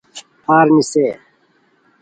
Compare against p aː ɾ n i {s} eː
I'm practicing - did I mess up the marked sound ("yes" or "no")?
no